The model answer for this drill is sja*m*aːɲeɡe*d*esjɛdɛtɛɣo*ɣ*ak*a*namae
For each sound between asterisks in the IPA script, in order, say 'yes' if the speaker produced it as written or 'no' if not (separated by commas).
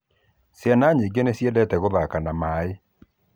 no, no, no, yes